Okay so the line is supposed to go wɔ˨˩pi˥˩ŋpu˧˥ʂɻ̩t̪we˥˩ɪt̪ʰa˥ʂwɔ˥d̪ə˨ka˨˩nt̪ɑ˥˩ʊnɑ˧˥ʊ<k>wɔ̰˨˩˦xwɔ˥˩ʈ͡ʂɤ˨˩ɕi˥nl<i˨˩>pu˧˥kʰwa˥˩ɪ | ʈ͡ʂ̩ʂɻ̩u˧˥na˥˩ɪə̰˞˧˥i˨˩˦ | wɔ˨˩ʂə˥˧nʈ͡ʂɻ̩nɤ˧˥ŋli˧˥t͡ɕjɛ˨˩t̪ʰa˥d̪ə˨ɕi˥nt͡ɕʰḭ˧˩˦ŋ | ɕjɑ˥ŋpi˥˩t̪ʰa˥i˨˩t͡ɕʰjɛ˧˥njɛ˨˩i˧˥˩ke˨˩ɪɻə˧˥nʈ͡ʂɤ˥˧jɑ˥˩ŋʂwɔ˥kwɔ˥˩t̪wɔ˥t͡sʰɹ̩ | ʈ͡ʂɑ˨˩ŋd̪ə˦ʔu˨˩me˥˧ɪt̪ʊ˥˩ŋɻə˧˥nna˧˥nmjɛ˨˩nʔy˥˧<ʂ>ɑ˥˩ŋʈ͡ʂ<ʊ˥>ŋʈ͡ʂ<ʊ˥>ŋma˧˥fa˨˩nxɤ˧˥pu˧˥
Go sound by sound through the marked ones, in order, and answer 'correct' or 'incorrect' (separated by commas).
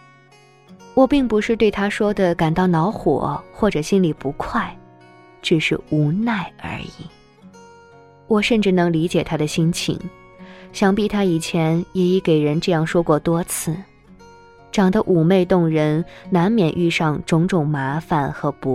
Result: incorrect, correct, correct, incorrect, incorrect